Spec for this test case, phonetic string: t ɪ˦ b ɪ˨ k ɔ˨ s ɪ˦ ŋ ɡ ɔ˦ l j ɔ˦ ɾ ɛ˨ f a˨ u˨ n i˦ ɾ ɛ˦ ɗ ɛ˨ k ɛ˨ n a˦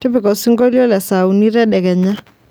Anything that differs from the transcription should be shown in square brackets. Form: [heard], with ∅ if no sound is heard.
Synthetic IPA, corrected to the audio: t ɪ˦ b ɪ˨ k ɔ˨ s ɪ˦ ŋ ɡ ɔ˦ l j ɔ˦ [l] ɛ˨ [s] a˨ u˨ n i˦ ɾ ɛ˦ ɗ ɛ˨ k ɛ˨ [ɲ] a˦